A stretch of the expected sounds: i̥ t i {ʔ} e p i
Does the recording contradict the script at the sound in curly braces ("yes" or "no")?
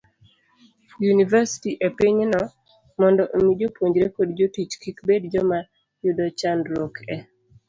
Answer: no